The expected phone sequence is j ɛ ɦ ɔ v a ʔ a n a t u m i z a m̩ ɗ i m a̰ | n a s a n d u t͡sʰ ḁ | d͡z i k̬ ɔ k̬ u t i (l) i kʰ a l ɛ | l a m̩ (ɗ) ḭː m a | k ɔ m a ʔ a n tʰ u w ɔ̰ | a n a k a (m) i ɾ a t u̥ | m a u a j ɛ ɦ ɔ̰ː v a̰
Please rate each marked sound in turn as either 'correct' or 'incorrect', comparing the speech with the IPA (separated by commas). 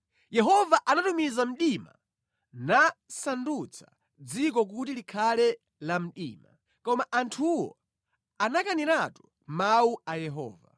correct, correct, incorrect